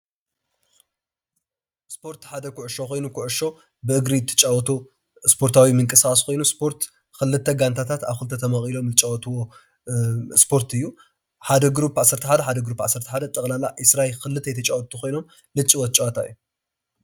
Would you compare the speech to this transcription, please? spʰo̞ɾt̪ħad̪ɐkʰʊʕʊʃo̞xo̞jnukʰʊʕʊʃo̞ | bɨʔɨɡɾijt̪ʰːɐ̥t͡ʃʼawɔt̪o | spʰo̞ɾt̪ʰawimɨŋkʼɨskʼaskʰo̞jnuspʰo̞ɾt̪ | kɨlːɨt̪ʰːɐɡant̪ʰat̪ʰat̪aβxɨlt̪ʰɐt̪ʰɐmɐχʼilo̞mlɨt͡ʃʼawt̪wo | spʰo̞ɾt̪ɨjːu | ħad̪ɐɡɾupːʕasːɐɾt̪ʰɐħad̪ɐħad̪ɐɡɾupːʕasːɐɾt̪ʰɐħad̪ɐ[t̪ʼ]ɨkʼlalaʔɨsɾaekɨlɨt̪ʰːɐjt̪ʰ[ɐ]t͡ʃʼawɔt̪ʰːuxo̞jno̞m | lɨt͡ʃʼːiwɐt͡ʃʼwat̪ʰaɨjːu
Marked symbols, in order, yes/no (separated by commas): yes, yes